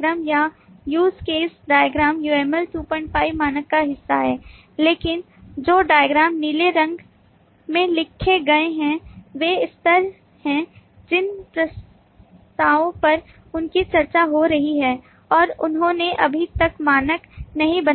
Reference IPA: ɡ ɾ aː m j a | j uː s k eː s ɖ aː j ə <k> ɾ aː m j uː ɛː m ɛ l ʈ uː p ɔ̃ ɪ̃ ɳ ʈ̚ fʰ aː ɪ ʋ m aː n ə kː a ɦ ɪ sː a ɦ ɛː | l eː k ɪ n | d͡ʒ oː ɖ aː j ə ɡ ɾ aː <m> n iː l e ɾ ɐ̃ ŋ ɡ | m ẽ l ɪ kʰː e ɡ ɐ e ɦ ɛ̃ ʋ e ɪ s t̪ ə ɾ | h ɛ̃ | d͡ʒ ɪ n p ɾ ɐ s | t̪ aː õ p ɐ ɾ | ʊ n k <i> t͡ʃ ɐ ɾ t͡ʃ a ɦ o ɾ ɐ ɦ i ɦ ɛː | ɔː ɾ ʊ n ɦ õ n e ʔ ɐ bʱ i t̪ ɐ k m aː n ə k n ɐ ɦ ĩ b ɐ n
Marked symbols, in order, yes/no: no, yes, yes

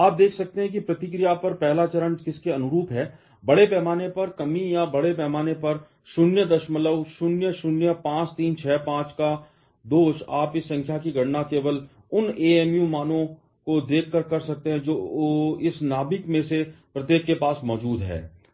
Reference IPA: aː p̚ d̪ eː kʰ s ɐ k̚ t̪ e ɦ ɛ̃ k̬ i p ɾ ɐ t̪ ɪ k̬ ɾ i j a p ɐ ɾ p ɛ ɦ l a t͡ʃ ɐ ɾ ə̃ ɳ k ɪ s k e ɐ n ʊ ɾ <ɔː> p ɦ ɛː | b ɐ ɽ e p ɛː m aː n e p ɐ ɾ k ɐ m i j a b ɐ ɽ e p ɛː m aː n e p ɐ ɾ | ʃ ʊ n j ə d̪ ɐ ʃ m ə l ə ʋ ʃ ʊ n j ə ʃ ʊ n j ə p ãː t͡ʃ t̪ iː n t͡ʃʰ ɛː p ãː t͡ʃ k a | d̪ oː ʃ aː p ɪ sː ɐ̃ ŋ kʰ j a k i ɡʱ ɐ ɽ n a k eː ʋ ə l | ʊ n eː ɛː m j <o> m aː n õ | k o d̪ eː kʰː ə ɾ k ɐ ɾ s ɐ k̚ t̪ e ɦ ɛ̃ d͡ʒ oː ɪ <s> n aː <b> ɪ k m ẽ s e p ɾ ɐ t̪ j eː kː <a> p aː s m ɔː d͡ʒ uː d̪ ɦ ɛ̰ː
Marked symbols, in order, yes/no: no, no, yes, yes, no

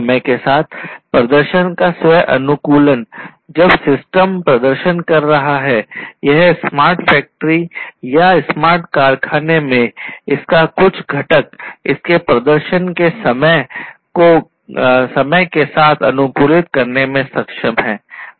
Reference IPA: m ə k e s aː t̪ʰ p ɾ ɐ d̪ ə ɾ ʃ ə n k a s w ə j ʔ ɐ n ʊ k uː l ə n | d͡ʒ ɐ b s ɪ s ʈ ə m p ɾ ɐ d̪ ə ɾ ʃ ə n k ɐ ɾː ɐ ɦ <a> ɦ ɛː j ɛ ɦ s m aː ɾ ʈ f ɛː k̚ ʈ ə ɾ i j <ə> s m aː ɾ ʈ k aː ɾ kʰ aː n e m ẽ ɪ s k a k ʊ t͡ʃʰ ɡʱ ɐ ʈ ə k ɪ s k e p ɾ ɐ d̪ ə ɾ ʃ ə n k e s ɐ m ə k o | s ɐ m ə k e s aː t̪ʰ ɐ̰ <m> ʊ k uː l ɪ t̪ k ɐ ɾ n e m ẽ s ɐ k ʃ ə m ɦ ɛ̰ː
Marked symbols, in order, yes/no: yes, no, no

